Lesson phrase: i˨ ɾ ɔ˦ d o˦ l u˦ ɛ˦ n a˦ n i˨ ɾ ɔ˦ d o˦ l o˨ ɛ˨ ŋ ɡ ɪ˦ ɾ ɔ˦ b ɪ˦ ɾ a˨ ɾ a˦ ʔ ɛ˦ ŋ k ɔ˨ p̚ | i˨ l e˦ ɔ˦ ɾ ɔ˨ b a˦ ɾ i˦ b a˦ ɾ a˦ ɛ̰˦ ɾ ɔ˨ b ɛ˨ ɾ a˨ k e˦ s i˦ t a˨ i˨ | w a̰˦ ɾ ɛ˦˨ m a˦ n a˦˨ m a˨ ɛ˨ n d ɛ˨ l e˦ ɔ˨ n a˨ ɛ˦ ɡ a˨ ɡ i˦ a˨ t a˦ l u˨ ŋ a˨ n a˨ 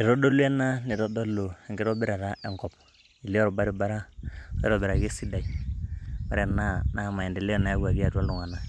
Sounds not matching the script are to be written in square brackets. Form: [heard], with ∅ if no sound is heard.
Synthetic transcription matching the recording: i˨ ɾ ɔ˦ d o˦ l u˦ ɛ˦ n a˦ n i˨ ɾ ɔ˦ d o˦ l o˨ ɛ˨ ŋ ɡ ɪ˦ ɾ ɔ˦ b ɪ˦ ɾ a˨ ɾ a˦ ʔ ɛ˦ ŋ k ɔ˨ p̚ | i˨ l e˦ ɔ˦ ɾ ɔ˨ b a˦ ɾ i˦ b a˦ ɾ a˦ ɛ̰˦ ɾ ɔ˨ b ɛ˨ ɾ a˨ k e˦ s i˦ [d] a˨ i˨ | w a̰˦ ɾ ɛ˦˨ [n] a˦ n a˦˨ m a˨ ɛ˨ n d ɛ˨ l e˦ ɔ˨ n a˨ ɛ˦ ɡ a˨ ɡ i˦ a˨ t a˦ l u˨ ŋ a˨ n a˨

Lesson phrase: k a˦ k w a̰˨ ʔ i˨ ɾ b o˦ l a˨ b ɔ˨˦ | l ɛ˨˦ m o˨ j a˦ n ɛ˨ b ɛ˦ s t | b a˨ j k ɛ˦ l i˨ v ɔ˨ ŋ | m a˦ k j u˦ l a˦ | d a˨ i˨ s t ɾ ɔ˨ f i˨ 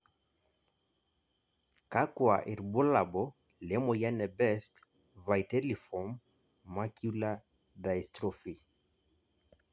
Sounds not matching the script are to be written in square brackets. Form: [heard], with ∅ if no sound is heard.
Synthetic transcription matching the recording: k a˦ k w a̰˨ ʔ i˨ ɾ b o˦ l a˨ b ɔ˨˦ | l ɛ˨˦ m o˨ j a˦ n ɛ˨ b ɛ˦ s t | [v] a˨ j [t] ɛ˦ l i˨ [f] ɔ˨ [m] | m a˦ k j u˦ l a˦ | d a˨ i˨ s t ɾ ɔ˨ f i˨

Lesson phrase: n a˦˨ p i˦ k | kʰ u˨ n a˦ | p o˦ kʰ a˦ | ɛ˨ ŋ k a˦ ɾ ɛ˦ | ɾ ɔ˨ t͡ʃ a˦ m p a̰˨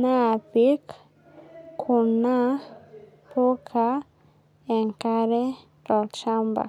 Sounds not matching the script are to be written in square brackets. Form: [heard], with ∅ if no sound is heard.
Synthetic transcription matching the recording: n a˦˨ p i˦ k | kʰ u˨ n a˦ | p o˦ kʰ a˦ | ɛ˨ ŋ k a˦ ɾ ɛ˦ | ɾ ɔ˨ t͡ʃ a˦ m [b] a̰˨

